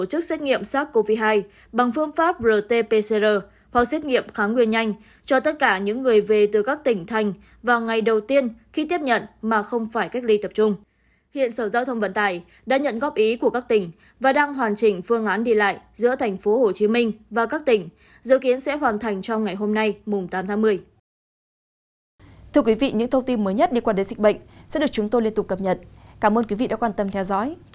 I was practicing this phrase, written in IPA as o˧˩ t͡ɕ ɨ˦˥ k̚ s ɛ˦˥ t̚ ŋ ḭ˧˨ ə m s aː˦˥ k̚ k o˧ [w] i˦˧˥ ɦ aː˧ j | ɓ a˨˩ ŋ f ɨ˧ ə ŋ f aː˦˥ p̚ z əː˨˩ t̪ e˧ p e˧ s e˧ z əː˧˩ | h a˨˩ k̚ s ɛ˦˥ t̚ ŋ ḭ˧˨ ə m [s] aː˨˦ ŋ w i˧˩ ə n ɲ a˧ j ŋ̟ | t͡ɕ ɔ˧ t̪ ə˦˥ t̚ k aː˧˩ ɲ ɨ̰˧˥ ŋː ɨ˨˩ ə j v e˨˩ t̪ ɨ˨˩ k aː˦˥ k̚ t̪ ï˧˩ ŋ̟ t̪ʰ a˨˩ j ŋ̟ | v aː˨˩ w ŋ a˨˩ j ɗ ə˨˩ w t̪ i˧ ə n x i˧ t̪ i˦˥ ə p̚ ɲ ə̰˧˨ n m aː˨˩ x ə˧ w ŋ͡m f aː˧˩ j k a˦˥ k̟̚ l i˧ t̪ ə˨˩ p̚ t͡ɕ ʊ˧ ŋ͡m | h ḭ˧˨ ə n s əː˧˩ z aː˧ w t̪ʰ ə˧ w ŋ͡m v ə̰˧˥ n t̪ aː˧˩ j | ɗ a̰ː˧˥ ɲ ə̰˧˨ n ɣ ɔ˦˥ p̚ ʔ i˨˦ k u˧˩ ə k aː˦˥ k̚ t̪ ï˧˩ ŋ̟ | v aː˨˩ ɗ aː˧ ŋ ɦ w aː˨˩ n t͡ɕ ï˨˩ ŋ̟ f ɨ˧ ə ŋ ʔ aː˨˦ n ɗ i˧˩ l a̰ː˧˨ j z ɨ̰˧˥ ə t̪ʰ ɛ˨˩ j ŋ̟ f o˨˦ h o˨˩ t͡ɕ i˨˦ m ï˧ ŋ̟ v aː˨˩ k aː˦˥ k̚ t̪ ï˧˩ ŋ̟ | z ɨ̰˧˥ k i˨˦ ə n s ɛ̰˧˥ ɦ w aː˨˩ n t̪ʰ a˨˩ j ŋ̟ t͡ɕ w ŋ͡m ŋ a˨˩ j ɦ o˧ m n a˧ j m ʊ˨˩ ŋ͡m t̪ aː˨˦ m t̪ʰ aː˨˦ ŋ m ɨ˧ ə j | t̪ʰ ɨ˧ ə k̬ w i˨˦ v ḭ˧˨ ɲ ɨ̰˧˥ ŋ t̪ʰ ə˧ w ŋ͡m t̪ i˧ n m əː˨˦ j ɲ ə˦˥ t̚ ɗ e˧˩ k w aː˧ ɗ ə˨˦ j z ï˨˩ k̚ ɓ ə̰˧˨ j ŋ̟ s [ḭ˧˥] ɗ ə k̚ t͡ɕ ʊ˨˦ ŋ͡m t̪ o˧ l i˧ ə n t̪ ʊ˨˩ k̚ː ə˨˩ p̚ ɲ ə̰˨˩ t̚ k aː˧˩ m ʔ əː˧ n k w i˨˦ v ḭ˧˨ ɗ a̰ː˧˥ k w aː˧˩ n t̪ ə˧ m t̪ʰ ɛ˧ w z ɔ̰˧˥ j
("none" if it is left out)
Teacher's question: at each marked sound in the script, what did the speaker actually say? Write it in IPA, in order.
v, x, ɛ̰˧˥

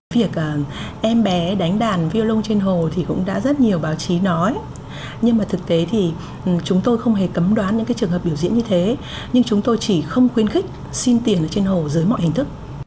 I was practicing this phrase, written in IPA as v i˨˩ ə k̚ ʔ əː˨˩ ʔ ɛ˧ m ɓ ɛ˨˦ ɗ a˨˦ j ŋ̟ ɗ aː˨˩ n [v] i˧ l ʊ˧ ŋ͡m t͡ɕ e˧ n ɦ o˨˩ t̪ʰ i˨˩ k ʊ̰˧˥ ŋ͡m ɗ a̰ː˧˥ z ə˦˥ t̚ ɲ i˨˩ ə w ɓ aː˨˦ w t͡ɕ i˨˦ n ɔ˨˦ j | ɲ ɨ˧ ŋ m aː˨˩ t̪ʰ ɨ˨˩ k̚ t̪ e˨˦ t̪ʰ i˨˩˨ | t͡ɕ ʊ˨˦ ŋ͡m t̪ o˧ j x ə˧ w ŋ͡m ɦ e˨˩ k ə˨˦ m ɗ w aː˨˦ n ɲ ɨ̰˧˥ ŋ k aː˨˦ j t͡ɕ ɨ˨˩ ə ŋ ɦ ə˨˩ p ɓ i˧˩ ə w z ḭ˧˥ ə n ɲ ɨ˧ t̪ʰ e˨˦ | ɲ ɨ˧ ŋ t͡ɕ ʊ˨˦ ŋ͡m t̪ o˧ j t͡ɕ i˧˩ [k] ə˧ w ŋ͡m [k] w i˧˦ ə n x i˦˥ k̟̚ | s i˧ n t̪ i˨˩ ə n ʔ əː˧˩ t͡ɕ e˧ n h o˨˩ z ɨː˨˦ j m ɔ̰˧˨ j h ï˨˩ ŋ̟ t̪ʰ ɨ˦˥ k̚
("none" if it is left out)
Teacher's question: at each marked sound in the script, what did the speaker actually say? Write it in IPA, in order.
v, x, x

